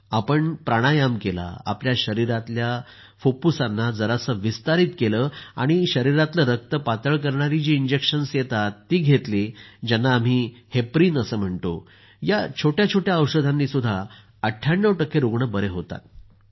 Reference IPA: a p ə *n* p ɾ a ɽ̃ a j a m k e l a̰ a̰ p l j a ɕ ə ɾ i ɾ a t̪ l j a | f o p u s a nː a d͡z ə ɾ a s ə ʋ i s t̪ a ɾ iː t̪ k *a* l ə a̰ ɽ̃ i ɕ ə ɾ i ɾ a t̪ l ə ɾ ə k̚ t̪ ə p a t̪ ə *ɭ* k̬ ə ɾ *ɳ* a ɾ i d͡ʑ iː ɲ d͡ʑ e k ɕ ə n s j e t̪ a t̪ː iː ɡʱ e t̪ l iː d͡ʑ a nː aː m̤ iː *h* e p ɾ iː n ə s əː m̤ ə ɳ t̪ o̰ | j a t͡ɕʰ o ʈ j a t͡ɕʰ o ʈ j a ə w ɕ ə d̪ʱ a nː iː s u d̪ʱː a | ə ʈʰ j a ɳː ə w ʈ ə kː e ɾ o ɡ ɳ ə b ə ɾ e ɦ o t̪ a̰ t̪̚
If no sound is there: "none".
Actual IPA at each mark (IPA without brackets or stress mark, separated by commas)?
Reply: ɳ, e, ɭ, ɳ, h